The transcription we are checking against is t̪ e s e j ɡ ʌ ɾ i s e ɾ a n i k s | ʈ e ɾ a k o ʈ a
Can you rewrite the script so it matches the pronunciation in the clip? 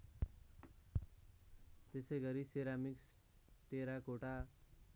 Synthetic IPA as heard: t̪ e s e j ɡ ʌ ɾ i s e ɾ a m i k s | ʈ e ɾ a k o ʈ a